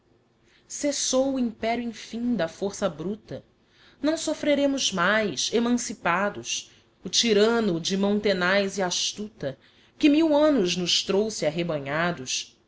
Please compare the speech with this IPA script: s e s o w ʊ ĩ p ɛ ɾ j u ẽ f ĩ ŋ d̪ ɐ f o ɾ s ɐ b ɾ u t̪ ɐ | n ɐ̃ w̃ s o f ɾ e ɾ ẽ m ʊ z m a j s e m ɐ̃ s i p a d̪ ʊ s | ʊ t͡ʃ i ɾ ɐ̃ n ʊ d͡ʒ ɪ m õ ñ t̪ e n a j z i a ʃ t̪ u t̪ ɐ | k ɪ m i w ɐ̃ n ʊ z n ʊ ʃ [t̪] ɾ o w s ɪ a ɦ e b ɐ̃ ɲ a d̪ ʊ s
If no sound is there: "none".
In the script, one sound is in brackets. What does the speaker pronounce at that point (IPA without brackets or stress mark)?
t̪